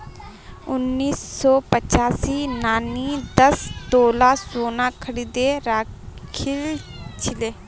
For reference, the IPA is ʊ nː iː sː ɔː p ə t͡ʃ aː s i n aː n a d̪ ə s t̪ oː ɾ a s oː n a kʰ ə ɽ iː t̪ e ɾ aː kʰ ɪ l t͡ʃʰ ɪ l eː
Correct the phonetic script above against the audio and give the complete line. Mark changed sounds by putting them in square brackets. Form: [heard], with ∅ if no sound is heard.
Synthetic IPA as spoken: ʊ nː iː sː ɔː p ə t͡ʃ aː s i n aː n [i] d̪ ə s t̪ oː [l] a s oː n a kʰ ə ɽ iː [d̪] e ɾ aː kʰ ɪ l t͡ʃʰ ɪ l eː